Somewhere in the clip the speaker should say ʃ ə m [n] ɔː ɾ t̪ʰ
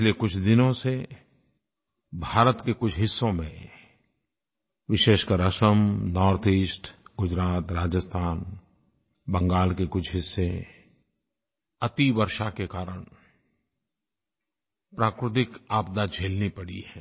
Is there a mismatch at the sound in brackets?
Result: no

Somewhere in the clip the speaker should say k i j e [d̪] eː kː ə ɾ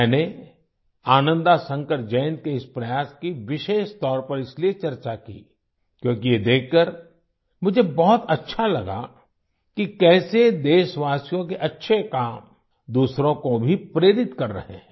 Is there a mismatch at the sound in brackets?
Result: no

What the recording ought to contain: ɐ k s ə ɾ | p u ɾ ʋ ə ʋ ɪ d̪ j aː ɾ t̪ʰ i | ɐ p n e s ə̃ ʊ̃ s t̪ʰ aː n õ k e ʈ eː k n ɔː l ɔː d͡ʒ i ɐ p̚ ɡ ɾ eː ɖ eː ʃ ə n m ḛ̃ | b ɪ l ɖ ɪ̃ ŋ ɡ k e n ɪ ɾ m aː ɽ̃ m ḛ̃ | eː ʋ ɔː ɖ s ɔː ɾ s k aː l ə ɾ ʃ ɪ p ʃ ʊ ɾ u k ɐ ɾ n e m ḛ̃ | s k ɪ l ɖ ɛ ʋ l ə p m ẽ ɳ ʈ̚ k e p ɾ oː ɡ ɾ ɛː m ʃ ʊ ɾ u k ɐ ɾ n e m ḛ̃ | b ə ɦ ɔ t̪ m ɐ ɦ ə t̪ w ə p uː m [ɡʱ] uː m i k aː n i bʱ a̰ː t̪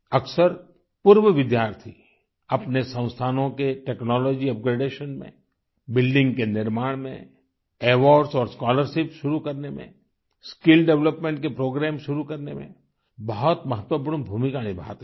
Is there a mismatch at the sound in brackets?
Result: yes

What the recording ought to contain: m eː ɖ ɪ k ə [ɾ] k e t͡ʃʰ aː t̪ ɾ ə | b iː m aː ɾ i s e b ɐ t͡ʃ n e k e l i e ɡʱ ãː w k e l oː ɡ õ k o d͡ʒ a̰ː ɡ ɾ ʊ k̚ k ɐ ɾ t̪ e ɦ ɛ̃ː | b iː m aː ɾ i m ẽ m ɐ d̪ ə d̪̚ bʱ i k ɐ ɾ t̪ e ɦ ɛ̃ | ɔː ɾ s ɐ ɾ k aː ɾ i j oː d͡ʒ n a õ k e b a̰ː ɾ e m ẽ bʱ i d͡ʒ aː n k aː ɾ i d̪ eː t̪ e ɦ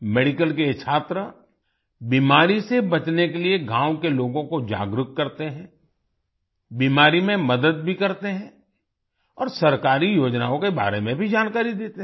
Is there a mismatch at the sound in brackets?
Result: yes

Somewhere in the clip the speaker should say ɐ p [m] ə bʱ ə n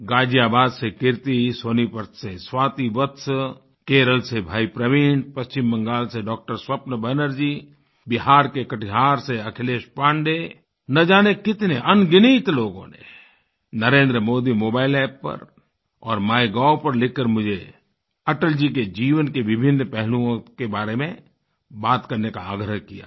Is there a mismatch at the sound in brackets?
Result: yes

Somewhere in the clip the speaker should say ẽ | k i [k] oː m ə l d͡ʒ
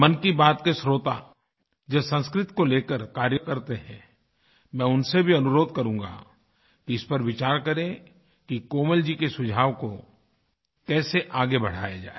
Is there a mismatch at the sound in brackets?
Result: no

